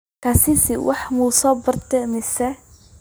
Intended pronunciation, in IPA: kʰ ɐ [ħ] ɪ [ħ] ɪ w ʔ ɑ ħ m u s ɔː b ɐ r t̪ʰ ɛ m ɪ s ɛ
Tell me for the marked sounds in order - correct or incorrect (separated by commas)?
incorrect, incorrect